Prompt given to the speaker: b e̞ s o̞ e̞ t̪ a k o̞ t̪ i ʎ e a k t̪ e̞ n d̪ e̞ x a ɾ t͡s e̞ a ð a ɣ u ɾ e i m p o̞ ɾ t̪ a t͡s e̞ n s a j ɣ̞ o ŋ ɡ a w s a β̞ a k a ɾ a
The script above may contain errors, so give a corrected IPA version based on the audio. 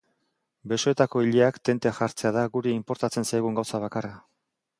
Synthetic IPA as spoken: b e̞ s o̞ e̞ t̪ a k o̞ i ʎ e a k t̪ e̞ n t̪ e̞ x a ɾ t͡s e̞ a ð a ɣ u ɾ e i m p o̞ ɾ t̪ a t͡s e̞ n s a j ɣ̞ u ŋ ɡ a w s a β̞ a k a r a